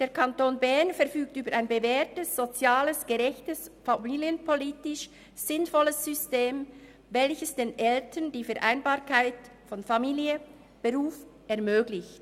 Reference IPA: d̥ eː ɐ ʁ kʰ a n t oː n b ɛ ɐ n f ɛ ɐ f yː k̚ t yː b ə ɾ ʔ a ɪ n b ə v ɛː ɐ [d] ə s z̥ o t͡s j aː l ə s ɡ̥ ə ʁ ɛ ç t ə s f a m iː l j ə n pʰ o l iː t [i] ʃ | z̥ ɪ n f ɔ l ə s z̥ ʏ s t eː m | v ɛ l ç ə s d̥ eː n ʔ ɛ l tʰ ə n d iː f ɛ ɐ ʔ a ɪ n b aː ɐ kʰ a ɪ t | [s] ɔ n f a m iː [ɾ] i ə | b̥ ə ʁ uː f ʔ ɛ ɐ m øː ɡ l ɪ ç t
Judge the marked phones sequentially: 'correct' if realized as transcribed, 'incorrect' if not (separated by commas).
incorrect, incorrect, incorrect, incorrect